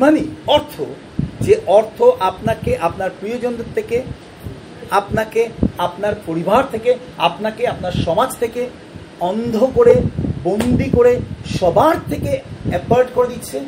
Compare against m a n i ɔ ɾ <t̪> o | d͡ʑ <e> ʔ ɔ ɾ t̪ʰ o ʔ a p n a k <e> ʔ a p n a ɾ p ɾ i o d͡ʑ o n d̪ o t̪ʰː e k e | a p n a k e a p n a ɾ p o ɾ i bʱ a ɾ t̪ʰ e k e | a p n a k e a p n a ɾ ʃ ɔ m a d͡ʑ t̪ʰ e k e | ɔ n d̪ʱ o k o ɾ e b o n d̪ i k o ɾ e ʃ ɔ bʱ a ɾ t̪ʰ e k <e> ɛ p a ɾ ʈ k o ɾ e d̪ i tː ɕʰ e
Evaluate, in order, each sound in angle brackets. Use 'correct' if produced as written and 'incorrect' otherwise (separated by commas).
incorrect, correct, correct, correct